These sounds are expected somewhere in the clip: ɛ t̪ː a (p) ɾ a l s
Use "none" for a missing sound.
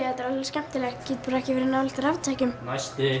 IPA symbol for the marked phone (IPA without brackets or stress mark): none